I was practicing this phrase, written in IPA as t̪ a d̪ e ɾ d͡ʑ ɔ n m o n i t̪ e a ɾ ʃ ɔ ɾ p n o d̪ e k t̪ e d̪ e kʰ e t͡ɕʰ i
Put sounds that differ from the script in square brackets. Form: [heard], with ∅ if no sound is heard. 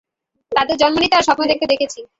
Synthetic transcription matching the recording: t̪ a d̪ e ɾ d͡ʑ ɔ n m o n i t̪ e a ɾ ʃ ɔ [∅] p n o d̪ e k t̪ e d̪ e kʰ e t͡ɕʰ i